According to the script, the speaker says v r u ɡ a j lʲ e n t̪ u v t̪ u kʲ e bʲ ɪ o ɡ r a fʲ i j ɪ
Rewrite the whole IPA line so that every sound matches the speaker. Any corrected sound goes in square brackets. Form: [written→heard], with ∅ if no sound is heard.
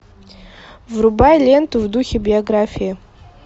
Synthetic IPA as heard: v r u [ɡ→b] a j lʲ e n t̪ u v [t̪→d̪] u [kʲ→xʲ] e bʲ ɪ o ɡ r a fʲ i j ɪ